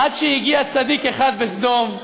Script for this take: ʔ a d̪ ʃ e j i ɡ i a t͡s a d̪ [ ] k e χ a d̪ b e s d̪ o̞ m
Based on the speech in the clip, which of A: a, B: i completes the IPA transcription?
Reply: B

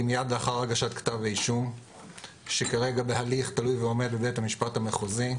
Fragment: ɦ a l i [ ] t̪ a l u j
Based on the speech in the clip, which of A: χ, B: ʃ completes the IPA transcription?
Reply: A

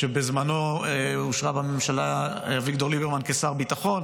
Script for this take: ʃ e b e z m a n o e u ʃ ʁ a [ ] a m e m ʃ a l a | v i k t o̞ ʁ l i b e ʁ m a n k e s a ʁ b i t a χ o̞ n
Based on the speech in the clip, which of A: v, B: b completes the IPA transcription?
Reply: B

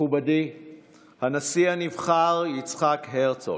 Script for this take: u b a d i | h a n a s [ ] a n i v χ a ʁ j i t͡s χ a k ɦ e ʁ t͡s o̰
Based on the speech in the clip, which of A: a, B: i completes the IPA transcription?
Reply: B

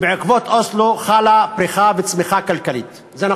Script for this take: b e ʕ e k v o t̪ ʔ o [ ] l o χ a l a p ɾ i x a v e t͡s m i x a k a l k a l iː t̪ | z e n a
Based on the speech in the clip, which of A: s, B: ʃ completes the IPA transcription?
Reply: A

